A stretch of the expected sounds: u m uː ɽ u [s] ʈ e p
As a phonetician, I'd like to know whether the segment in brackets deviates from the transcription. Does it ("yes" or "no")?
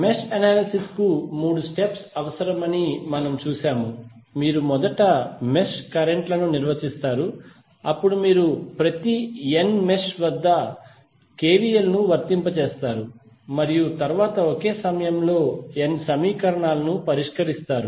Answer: no